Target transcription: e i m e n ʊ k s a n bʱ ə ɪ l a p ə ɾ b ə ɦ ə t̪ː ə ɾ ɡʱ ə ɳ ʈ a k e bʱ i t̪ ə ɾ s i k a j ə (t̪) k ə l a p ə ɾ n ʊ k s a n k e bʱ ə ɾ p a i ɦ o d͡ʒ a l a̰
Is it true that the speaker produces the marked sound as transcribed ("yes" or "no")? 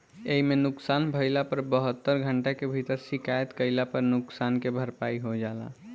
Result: yes